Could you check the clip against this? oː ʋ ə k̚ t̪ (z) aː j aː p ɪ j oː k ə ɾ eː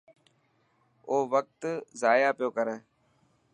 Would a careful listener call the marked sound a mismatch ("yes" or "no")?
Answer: no